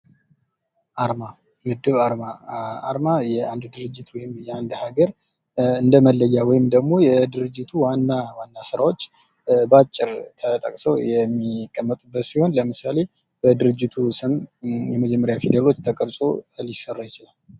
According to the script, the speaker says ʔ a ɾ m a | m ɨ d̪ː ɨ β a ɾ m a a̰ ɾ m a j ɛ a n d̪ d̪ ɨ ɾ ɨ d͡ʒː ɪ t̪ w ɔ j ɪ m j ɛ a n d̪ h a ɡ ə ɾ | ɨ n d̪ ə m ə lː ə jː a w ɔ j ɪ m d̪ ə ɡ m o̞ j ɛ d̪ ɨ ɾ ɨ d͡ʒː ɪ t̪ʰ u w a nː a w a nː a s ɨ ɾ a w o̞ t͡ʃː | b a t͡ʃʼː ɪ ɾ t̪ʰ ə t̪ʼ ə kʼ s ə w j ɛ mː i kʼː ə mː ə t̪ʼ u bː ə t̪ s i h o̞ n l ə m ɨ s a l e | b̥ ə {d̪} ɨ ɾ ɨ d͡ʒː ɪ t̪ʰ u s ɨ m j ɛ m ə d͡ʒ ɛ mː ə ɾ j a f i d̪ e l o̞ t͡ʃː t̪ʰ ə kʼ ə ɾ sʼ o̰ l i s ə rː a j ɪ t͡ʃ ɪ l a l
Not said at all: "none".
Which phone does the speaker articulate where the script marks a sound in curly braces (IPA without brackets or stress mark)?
d̪